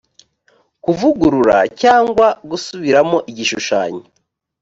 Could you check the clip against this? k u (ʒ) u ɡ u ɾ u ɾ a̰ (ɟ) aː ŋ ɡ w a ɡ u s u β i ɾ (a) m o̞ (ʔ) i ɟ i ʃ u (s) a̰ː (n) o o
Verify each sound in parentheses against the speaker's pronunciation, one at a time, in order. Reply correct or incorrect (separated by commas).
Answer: incorrect, incorrect, correct, correct, incorrect, incorrect